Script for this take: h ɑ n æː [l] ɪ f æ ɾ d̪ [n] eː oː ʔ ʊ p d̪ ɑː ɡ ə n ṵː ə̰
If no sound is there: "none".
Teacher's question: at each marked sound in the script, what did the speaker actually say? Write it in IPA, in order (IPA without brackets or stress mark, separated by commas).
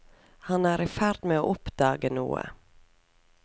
ɾ, m